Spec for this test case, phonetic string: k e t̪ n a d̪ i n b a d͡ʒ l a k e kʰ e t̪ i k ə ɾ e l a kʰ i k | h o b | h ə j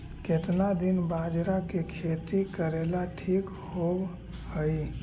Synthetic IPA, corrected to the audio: k e t̪ n a d̪ i n b a d͡ʒ ɾ a k e kʰ e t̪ i k ə ɾ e l a ʈʰ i k | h o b | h ə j